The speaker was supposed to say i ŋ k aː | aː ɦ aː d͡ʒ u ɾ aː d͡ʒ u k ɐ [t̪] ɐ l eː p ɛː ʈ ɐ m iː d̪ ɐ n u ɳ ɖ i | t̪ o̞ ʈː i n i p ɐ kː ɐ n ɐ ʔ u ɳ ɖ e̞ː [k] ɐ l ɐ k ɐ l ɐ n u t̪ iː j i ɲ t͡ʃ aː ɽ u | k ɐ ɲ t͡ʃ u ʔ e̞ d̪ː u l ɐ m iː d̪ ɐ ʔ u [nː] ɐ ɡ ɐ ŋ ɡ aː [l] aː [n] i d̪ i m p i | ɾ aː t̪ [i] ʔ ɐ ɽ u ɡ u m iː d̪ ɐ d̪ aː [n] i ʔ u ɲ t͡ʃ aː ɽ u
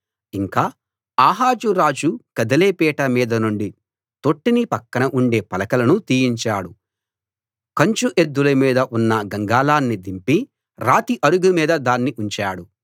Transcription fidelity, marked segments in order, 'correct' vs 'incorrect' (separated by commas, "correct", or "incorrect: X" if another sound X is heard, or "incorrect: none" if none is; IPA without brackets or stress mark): incorrect: d̪, incorrect: p, correct, correct, incorrect: nː, correct, incorrect: nː